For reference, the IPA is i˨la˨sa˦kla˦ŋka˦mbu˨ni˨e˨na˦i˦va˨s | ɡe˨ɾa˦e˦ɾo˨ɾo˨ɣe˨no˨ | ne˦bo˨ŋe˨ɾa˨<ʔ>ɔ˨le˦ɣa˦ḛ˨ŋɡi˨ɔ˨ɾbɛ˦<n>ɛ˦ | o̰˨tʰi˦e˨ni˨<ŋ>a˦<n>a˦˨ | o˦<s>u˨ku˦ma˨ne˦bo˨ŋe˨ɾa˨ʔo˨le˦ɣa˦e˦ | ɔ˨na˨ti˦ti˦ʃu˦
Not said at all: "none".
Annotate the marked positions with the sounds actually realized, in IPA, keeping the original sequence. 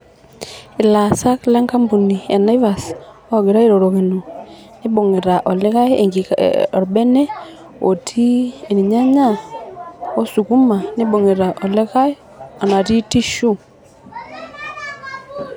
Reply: ʔ, n, ɲ, ɲ, s

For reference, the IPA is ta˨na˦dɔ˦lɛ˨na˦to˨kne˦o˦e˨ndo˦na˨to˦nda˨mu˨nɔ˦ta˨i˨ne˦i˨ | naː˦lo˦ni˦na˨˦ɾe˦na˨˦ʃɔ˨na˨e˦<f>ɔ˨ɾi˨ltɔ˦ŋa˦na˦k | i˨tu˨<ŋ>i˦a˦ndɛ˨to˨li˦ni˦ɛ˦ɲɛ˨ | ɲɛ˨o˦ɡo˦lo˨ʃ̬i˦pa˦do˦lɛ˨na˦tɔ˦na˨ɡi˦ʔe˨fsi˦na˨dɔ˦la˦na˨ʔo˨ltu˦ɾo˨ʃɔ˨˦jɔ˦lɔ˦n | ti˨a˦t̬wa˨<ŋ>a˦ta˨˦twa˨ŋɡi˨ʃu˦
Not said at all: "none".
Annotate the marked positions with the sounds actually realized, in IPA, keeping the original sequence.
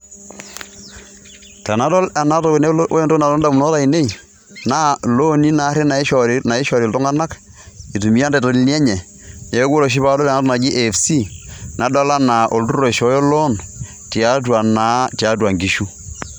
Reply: ʃ, m, n

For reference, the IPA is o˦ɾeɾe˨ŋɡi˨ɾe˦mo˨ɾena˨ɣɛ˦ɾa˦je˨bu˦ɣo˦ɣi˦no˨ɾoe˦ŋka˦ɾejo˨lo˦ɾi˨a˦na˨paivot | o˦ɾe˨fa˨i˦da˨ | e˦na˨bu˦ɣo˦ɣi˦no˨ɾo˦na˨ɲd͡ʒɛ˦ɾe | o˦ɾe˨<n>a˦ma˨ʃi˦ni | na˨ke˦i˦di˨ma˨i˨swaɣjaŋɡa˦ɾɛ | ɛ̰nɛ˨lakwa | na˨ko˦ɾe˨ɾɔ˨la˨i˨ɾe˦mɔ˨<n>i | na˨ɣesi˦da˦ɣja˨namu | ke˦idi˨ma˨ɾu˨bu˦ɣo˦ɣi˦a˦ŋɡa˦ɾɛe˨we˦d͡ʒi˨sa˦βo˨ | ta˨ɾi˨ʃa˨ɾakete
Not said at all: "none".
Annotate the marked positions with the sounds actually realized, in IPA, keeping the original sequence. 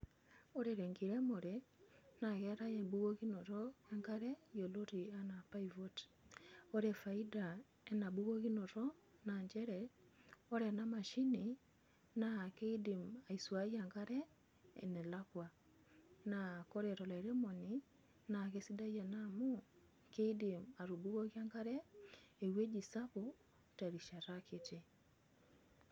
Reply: n, n

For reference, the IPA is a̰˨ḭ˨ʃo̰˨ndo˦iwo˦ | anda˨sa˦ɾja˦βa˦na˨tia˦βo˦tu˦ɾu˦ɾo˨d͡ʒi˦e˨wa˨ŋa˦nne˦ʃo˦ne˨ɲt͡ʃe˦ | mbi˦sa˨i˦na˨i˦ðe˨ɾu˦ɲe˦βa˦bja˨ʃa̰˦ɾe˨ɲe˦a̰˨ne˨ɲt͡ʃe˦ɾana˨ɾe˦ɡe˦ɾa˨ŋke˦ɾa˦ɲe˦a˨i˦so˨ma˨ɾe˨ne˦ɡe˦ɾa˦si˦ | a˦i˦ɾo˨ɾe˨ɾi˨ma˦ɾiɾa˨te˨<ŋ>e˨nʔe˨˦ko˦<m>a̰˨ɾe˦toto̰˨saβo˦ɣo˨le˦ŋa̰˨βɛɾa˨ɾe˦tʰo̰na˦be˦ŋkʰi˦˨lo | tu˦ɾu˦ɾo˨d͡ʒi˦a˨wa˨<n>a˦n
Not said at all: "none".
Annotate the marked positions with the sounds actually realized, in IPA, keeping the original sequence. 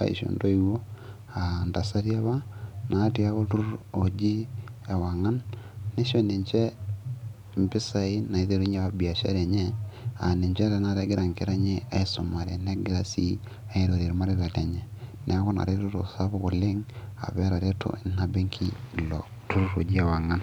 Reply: ɲ, n, ŋ

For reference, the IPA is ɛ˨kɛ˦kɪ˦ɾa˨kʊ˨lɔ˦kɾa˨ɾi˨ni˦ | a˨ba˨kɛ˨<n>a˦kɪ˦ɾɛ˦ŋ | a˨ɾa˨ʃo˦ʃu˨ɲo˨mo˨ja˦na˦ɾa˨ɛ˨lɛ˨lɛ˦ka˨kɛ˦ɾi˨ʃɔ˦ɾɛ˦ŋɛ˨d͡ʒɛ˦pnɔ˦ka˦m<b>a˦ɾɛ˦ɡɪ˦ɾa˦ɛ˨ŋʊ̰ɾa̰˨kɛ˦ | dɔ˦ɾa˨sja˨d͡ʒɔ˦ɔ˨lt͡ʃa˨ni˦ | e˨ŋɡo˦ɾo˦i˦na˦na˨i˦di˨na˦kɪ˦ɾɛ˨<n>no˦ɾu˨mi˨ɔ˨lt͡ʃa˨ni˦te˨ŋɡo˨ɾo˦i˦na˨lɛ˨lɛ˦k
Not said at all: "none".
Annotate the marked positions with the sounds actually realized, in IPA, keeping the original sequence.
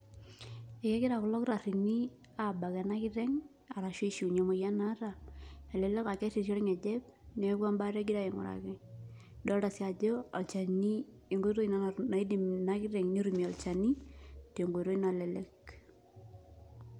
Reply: n, b, ŋ

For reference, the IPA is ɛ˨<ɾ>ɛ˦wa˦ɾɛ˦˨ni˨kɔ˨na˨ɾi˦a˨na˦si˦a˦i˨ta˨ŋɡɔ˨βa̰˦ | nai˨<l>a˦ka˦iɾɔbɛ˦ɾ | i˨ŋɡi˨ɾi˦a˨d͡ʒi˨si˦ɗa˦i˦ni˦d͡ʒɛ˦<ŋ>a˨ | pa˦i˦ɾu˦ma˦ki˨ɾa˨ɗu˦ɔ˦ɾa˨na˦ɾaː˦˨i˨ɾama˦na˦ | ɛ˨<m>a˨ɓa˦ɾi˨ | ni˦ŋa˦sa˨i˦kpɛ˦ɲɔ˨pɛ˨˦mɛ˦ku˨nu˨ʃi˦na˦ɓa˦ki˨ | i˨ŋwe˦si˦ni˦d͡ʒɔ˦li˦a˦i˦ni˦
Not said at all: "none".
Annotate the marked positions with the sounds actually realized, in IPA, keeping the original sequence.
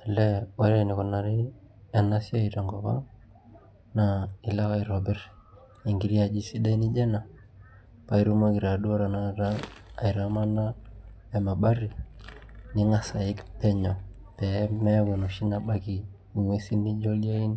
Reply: l, l, n, m

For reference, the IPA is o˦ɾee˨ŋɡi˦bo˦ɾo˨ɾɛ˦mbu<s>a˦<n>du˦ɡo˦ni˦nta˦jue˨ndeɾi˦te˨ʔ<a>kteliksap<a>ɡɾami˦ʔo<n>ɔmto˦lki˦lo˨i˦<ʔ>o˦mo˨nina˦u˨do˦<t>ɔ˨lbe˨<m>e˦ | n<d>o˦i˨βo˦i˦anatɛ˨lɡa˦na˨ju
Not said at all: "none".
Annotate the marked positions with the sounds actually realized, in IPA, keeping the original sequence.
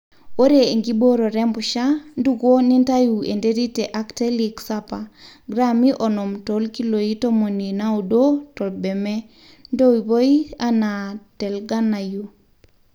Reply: ʃ, n, a, a, n, t, t, m, d

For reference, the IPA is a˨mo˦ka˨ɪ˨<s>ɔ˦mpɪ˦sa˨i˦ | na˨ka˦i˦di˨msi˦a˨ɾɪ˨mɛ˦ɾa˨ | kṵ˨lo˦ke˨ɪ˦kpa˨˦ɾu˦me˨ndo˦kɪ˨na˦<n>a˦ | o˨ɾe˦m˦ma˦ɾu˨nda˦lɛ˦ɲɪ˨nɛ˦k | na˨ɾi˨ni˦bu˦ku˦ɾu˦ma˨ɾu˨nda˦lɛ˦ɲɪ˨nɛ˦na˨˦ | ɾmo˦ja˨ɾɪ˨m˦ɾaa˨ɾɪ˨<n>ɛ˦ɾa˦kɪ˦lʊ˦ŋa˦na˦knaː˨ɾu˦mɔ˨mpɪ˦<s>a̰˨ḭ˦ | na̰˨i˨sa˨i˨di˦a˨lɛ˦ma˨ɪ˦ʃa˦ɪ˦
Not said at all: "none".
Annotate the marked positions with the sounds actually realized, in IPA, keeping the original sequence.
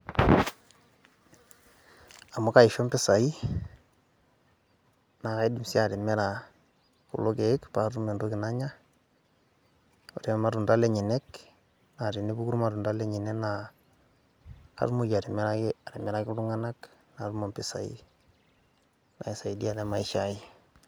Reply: ʃ, ɲ, m, s

